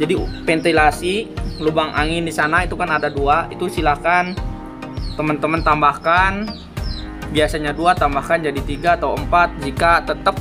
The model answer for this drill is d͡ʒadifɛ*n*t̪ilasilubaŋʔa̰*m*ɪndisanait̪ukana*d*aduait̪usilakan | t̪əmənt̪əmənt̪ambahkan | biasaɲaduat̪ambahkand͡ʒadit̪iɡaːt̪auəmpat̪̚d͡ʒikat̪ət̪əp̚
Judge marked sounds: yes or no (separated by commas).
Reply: yes, no, yes